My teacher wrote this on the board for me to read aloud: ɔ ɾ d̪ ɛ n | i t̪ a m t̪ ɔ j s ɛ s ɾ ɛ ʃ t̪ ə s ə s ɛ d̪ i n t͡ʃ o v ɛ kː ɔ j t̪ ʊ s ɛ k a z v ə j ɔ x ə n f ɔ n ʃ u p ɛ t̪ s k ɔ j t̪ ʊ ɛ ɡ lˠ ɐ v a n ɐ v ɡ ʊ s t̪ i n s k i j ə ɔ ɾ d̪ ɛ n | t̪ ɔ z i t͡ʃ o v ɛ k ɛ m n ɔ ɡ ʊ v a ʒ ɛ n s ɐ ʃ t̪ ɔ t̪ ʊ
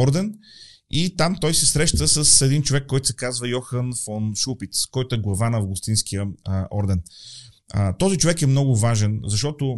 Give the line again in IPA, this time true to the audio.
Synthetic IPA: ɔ ɾ d̪ ɛ n | i t̪ a m t̪ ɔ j s ɛ s ɾ ɛ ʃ t̪ ə s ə s ɛ d̪ i n t͡ʃ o v ɛ kː ɔ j t̪ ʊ s ɛ k a z v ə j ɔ x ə n f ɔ n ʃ u p i t̪ s k ɔ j t̪ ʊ ɛ ɡ lˠ ɐ v a n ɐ v ɡ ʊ s t̪ i n s k i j ə ɔ ɾ d̪ ɛ n | t̪ ɔ z i t͡ʃ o v ɛ k ɛ m n ɔ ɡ ʊ v a ʒ ɛ n z ɐ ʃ t̪ ɔ t̪ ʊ